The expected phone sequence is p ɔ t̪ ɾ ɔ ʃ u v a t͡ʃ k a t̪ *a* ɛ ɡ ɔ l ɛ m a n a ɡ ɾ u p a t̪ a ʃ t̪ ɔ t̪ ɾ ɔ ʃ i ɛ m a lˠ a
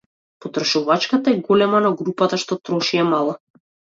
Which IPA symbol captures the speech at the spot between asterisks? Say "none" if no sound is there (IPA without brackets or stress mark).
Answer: a